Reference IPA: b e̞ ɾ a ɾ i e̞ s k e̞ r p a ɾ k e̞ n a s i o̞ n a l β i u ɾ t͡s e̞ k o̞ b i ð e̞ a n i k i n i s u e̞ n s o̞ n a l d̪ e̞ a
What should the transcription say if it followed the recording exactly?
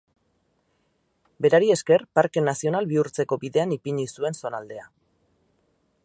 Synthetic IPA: b e̞ ɾ a ɾ i e̞ s k e̞ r p a ɾ k e̞ n a s i o̞ n a l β i u ɾ t͡s e̞ k o̞ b i ð e̞ a n i p i ɲ i s u e̞ n s o̞ n a l d̪ e̞ a